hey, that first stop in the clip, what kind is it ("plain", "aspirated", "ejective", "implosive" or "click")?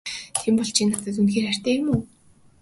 aspirated